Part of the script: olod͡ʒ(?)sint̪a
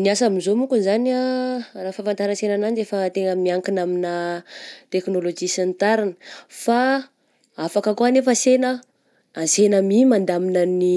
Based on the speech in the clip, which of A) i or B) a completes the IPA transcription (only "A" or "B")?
A